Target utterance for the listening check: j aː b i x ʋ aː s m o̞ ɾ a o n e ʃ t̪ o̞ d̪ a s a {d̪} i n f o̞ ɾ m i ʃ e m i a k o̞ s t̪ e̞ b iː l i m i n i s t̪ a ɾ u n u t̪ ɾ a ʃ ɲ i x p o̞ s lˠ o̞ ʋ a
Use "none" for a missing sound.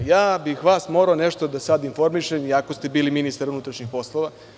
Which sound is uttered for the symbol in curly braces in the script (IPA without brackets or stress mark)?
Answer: d̪